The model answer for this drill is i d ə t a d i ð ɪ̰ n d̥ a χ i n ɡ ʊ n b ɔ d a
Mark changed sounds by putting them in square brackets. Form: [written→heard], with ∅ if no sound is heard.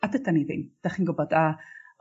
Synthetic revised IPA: [i→a] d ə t a [d→n] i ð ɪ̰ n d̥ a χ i n ɡ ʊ [n→∅] b ɔ d a

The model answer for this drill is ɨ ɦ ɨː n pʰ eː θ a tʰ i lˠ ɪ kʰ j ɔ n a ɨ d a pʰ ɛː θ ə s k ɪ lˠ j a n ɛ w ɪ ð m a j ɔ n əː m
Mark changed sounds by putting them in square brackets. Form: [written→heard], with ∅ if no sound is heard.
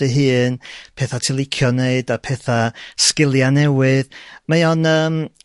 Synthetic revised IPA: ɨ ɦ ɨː n pʰ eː θ a tʰ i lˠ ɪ kʰ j ɔ n [a→e] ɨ d a pʰ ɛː θ [ə→a] s k ɪ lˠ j a n ɛ w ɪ ð m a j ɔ n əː m

